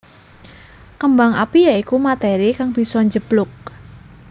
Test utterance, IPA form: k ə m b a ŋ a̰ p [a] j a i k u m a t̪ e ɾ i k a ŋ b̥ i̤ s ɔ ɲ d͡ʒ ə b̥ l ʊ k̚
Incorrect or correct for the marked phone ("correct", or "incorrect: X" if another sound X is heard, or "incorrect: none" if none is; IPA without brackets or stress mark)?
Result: incorrect: i